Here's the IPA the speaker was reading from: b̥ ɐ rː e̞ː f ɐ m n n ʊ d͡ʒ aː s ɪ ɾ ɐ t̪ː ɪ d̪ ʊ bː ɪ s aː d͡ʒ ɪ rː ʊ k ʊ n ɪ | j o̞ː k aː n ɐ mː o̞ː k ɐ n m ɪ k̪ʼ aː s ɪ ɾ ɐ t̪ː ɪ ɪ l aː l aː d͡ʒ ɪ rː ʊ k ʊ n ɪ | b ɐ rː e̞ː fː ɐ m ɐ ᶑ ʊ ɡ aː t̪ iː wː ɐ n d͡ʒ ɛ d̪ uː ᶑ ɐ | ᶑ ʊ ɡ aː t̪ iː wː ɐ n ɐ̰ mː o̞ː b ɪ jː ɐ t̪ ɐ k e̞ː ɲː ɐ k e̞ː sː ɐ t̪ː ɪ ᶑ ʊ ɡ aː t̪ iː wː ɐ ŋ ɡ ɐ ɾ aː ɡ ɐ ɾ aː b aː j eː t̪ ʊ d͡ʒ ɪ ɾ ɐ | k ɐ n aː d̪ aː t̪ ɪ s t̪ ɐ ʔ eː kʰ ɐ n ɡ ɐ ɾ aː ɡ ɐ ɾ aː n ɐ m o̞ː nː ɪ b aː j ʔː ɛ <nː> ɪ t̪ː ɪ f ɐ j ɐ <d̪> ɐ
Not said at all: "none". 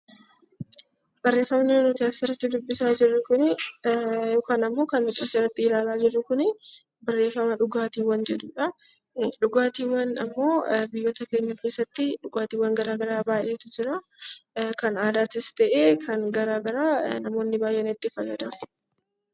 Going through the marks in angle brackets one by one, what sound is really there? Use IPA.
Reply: n, d̪

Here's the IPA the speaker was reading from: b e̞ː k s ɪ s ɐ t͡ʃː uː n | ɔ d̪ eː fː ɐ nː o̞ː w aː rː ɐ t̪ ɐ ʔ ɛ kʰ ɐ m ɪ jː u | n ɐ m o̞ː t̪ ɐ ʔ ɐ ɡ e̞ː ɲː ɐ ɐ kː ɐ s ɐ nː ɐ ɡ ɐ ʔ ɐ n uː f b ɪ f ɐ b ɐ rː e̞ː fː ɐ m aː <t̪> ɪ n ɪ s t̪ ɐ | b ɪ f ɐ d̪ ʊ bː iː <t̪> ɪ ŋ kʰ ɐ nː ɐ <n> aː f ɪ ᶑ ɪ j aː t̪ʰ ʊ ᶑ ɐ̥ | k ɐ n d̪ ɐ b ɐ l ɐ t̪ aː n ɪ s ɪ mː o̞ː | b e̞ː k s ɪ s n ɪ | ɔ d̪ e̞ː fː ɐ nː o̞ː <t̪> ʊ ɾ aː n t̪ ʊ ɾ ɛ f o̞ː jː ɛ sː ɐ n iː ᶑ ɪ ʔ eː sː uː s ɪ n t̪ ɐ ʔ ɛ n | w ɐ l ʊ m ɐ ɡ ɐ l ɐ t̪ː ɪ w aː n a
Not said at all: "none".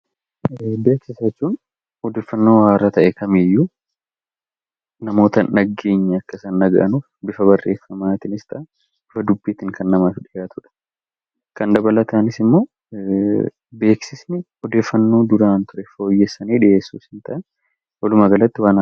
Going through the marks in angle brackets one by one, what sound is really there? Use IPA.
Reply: t̪, t̪, m, d̪

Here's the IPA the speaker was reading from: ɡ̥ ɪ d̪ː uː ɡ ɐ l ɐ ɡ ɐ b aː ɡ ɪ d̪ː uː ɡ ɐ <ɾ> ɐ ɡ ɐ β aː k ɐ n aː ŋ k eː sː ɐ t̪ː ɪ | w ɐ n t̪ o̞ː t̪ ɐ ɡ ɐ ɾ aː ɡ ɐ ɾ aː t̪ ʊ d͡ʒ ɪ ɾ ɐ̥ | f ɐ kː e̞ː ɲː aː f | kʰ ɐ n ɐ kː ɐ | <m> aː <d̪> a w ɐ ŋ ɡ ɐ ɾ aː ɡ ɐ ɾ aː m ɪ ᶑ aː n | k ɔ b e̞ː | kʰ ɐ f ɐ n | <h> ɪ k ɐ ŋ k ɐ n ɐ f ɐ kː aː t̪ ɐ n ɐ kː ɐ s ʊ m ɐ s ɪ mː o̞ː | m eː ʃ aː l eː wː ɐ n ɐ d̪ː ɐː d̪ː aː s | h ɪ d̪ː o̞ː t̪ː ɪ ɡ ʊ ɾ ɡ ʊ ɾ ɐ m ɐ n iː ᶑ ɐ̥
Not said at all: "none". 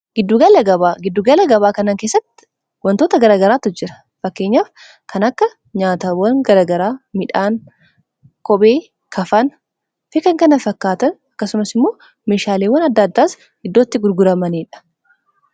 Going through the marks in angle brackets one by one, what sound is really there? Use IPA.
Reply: l, ɲ, t̪, f

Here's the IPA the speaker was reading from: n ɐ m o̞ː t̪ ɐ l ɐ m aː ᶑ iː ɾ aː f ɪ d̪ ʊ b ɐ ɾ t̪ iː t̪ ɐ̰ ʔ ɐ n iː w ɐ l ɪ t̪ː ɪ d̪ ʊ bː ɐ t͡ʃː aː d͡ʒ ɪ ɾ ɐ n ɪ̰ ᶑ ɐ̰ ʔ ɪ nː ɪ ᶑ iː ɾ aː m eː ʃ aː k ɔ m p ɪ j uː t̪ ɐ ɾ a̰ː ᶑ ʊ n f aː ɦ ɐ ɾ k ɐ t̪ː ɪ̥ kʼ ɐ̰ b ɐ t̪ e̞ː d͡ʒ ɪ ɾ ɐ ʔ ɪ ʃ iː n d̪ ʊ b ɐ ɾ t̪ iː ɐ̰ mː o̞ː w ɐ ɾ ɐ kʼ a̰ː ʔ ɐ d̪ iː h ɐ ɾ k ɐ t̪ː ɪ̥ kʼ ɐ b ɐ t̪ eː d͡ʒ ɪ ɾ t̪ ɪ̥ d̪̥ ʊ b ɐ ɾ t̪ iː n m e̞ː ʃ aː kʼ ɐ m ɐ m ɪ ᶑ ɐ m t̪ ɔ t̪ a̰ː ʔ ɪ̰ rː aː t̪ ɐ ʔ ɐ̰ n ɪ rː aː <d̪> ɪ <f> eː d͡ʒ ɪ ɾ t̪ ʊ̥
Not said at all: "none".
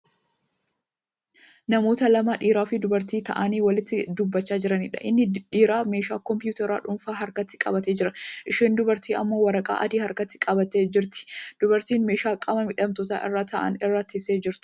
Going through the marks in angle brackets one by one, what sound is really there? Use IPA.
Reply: t̪, s

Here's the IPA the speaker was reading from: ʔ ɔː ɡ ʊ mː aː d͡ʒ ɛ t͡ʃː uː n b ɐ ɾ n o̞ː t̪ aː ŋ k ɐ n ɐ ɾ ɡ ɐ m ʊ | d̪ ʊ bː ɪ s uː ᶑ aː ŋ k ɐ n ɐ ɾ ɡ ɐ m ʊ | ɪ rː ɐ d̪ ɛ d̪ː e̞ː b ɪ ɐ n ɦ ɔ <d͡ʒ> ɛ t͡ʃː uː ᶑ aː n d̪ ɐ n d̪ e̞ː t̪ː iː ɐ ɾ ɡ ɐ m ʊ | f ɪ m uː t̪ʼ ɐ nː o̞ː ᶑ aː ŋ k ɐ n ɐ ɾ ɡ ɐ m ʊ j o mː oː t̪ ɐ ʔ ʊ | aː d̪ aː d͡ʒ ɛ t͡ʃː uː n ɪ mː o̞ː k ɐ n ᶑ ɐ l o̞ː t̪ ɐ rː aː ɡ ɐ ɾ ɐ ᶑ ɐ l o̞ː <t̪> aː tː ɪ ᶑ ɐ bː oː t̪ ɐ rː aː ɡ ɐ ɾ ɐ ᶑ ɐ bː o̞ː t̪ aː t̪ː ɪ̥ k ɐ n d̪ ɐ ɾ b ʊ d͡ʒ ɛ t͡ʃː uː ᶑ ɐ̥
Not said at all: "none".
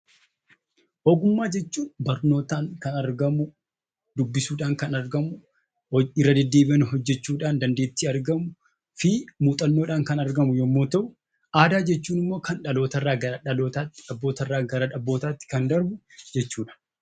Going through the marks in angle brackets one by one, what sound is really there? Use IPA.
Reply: d͡ʒː, t̪

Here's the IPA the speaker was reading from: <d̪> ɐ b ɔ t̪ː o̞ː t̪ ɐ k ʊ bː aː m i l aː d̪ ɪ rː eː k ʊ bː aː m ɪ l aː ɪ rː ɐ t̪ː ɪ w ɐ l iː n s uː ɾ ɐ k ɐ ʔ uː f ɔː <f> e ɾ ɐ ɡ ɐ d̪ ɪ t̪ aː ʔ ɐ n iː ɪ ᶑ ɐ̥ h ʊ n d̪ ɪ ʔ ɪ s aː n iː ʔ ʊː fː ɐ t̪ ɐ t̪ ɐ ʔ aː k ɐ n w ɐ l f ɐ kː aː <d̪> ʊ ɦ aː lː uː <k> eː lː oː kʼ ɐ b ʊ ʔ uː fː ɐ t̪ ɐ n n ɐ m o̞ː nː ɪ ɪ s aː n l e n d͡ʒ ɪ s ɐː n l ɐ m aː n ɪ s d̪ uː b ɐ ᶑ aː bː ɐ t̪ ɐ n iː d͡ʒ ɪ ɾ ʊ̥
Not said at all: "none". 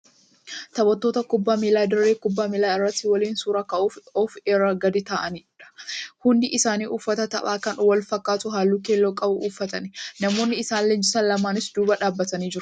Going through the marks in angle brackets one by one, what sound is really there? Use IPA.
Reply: t̪, f, t̪, k

